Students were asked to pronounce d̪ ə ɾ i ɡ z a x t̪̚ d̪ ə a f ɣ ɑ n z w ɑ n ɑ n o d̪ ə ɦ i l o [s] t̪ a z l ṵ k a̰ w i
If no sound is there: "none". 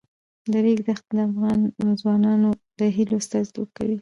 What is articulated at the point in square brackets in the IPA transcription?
s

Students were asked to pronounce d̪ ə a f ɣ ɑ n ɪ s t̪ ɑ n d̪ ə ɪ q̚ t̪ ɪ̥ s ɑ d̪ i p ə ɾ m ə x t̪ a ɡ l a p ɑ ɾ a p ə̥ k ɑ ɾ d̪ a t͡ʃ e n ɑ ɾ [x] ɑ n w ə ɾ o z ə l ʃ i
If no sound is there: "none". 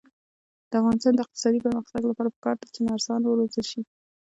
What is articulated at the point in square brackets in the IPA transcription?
s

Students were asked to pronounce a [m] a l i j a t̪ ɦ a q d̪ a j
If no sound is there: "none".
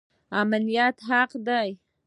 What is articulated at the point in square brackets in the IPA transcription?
m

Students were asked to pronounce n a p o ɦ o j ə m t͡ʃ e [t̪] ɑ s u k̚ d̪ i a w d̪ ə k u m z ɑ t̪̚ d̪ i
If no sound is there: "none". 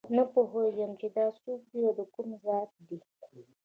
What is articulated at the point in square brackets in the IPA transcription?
d̪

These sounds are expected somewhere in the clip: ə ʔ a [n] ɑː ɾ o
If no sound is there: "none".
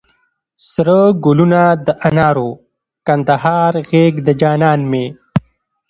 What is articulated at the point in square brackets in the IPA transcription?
n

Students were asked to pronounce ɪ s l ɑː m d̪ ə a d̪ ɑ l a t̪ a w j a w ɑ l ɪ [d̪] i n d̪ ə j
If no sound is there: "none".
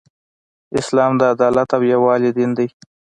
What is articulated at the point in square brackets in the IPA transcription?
d̪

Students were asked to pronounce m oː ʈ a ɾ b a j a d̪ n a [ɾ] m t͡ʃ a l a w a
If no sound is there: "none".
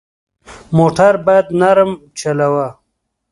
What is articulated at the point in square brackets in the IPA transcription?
ɾ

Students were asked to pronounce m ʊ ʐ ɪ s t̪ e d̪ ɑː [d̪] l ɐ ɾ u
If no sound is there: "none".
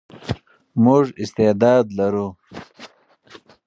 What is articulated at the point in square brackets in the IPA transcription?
d̪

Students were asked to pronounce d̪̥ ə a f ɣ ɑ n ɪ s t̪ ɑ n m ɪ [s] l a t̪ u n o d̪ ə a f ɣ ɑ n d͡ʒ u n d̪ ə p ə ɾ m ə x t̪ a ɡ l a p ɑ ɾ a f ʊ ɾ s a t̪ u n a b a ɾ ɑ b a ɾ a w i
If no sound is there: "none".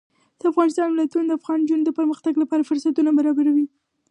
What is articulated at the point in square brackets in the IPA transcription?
none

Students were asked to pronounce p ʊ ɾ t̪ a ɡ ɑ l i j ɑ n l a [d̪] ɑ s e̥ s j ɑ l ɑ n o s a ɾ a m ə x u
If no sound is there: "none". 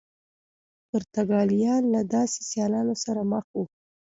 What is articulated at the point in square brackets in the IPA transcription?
d̪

